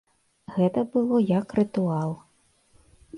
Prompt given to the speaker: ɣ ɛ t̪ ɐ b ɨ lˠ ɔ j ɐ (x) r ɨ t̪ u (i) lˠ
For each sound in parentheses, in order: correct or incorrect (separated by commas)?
incorrect, incorrect